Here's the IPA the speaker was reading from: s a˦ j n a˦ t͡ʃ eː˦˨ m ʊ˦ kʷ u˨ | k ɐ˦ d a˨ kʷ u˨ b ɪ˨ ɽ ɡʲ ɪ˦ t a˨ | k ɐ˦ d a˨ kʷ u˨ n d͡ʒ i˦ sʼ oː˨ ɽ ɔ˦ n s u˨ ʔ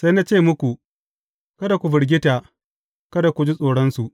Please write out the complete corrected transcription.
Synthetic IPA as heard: s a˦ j n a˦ t͡ʃ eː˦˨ m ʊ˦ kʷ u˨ | k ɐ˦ d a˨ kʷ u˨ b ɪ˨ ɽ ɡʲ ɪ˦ t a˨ | k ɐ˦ d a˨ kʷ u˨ d͡ʒ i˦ sʼ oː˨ ɽ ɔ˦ n s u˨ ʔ